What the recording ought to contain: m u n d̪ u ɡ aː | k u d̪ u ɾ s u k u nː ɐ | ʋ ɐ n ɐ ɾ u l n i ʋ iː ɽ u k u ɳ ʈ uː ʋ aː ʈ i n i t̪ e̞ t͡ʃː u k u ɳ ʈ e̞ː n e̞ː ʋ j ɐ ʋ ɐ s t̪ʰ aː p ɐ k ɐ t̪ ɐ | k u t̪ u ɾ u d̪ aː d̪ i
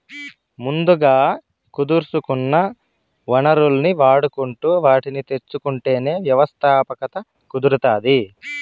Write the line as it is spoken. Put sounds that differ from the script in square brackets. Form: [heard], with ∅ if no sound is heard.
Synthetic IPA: m u n d̪ u ɡ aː | k u d̪ u ɾ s u k u nː ɐ | ʋ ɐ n ɐ ɾ u l n i ʋ [aː] ɽ u k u ɳ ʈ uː ʋ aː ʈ i n i t̪ e̞ t͡ʃː u k u ɳ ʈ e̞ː n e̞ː ʋ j ɐ ʋ ɐ s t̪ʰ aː p ɐ k ɐ t̪ ɐ | k u [d̪] u ɾ u [t̪] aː d̪ i